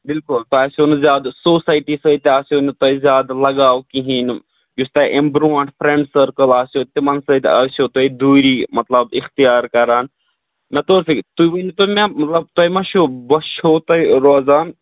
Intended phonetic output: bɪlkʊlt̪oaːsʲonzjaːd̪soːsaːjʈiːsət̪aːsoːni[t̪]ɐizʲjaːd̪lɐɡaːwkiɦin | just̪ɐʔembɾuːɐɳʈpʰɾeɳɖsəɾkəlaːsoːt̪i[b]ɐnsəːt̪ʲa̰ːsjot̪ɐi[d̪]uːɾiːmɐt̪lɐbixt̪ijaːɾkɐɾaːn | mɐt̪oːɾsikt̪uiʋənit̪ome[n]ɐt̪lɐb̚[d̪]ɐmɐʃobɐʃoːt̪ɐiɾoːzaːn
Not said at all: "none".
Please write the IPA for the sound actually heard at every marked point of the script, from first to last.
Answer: t̪, m, d̪, m, t̪

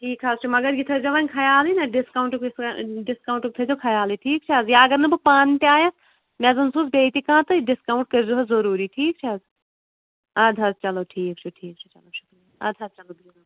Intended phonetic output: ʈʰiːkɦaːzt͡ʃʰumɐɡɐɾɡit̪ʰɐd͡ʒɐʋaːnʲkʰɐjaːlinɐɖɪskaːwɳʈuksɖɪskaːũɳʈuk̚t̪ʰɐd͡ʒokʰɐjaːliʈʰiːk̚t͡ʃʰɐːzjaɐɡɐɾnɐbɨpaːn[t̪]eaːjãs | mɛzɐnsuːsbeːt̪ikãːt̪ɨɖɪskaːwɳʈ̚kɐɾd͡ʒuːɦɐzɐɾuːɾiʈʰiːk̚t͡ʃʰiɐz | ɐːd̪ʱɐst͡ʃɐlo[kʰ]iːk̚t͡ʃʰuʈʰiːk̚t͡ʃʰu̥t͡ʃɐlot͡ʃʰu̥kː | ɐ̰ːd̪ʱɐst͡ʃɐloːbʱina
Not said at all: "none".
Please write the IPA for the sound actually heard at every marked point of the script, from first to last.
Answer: t̪, ʈʰ

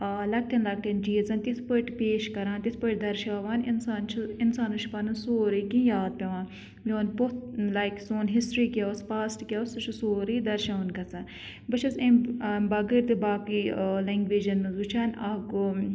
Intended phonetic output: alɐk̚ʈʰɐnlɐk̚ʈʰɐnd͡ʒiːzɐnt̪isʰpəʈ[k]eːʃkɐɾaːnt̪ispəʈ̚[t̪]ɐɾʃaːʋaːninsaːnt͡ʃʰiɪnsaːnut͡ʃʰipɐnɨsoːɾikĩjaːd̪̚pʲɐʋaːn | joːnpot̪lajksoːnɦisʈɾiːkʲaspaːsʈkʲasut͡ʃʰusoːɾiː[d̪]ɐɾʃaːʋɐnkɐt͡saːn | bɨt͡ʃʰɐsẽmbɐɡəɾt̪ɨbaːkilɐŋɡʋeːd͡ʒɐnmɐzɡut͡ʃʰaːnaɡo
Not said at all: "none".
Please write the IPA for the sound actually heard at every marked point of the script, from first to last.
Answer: p, d̪, d̪

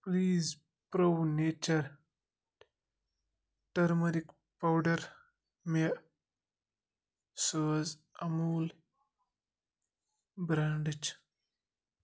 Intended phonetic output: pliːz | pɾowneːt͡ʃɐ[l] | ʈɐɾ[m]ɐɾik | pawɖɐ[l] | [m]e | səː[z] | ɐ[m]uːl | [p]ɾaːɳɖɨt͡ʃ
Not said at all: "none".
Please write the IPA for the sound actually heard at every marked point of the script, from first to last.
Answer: ɾ, m, ɾ, m, z, m, b

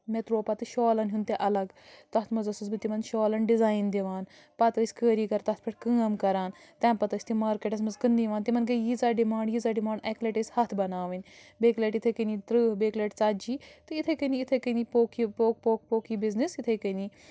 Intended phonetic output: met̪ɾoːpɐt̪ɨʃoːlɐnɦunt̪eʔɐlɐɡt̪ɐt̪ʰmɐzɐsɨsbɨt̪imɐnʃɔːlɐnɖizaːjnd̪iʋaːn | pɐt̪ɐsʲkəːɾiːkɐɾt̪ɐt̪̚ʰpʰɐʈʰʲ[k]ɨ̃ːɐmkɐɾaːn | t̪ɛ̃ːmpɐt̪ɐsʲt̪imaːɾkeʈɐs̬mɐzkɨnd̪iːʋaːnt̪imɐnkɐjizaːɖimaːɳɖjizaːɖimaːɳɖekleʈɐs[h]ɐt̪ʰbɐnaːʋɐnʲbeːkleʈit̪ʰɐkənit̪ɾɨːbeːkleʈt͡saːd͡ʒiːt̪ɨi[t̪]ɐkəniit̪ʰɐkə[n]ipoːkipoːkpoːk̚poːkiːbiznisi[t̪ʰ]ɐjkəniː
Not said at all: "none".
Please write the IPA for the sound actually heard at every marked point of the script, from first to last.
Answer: k, h, t̪ʰ, n, t̪ʰ

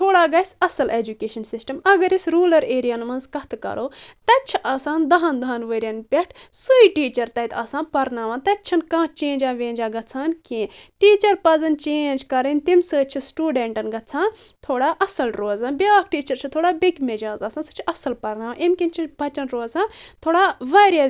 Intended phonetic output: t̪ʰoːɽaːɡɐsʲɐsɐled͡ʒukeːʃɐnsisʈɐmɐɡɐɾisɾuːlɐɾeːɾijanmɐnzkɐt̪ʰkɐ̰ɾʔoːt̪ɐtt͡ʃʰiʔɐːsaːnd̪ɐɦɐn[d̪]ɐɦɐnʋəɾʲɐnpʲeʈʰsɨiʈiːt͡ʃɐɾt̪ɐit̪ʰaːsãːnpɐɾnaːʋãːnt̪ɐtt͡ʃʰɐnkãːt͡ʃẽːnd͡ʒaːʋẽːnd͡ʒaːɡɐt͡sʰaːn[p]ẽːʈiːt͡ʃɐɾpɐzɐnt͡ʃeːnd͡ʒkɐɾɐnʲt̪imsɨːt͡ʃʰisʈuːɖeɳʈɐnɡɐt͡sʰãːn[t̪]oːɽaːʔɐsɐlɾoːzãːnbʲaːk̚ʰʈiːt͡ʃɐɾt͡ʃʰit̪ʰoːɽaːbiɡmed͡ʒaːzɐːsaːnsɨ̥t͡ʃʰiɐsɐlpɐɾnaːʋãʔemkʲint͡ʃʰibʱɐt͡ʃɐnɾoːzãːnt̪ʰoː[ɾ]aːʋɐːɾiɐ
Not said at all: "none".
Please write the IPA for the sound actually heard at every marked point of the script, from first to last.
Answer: d̪, k, t̪ʰ, ɽ

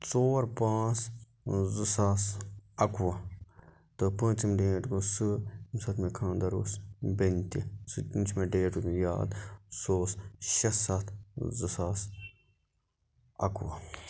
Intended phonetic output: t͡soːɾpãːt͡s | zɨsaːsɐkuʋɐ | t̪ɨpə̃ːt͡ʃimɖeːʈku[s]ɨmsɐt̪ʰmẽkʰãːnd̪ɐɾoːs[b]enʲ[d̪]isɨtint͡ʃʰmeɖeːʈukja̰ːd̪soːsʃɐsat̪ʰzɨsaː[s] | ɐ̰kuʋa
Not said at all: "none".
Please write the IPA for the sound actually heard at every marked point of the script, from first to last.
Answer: s, b, t̪, s

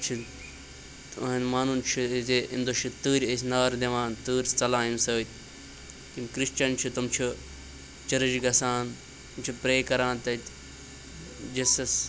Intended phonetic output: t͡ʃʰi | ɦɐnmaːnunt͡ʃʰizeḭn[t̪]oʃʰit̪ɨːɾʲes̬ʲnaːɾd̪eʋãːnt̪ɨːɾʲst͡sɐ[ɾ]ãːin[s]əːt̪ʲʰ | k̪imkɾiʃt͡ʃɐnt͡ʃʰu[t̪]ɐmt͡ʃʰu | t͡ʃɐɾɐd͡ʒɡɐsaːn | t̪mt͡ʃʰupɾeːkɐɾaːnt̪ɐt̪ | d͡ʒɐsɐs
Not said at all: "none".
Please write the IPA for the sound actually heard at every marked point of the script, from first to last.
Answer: d̪, l, s, t̪

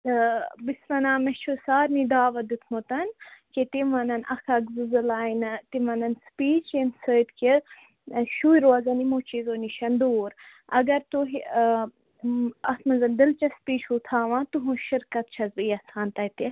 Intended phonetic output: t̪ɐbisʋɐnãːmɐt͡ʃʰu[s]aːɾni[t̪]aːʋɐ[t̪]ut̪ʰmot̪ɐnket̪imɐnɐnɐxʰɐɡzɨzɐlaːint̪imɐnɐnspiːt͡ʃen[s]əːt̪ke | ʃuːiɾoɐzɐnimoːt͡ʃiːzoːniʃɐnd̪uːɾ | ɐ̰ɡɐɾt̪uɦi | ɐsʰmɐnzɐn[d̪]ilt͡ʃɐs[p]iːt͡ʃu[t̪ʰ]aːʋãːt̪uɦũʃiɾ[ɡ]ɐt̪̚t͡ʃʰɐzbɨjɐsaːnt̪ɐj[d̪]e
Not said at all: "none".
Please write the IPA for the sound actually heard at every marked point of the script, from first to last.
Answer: s, d̪, d̪, s, d̪, p, t̪ʰ, k, t̪

